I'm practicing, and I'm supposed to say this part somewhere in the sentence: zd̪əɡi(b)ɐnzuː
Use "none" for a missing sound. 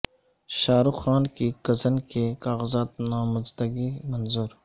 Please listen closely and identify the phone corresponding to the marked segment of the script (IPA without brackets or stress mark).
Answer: m